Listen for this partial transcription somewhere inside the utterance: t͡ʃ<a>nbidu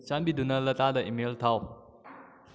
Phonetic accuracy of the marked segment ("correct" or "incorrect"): correct